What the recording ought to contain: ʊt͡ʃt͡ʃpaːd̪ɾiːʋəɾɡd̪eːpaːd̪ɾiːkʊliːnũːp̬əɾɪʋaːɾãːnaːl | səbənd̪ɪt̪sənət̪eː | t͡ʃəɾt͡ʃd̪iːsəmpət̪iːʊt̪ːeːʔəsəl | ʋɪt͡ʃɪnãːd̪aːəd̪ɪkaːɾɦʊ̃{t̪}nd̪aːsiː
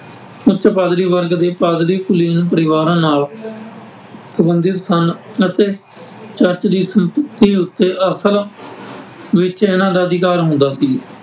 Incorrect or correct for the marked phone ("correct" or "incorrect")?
incorrect